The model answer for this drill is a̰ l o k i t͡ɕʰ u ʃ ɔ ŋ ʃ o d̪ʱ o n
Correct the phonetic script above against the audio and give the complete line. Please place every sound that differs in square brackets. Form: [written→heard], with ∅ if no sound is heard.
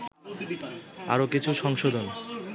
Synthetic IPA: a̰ [l→ɾ] o k i t͡ɕʰ u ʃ ɔ ŋ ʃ o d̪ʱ o n

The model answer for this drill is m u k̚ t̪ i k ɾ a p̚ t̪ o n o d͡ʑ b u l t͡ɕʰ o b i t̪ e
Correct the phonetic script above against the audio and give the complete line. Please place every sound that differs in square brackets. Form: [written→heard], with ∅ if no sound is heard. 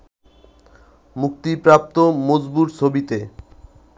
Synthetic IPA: m u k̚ t̪ i [k→p] ɾ a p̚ t̪ o [n→m] o d͡ʑ b u [l→ɾ] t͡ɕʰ o b i t̪ e

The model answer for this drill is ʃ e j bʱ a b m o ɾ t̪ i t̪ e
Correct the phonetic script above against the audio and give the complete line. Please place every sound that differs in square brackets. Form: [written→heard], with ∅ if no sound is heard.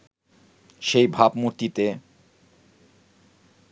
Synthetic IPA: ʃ e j bʱ a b m [o→u] ɾ t̪ i t̪ e

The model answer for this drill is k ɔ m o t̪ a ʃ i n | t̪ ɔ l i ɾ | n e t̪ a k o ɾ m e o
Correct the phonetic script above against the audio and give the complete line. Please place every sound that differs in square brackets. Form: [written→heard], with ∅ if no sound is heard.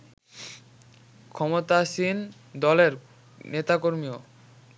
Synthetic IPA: [k→kʰ] ɔ m o t̪ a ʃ i n | [t̪→d̪] ɔ l [i→e] ɾ | n e t̪ a k o ɾ m [e→i] o

